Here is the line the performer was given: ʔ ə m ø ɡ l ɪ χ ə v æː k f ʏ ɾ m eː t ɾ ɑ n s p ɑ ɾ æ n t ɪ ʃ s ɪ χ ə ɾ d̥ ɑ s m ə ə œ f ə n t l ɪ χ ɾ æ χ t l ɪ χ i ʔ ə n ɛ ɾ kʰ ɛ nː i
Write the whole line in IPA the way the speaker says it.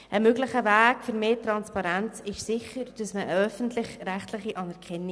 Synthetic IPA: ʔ ə m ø ɡ l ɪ χ ə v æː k f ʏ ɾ m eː t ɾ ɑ n s p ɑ ɾ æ n t͡s ɪ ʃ s ɪ χ ə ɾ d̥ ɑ s m ə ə œ f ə n t l ɪ χ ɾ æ χ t l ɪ χ i ʔ ɑ n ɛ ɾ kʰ ɛ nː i